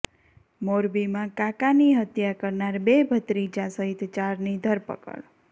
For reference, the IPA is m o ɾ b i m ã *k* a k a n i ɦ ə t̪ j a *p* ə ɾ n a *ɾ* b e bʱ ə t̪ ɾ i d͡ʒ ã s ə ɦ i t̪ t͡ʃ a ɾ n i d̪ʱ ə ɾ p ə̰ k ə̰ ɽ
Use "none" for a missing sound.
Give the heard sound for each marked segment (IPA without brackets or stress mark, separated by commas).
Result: k, k, ɾ